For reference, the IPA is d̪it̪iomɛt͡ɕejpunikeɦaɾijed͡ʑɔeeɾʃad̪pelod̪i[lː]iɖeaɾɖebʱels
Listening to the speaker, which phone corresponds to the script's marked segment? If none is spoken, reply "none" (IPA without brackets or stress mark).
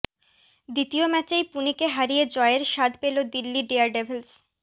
lː